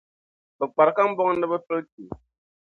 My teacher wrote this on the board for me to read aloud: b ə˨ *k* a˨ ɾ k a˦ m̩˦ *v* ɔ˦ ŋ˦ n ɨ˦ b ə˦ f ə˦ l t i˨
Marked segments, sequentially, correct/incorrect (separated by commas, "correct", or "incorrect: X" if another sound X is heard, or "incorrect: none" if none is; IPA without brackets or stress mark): incorrect: k͡p, incorrect: b